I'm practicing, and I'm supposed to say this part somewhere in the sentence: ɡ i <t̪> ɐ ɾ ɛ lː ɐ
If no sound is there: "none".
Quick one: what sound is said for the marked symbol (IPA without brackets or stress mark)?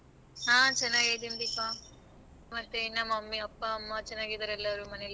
d̪